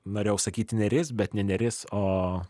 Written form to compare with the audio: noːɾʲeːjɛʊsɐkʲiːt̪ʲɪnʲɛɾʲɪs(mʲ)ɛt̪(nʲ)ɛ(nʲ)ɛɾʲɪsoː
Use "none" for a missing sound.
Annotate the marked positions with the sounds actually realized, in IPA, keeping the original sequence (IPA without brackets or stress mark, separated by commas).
bʲ, nʲ, nʲ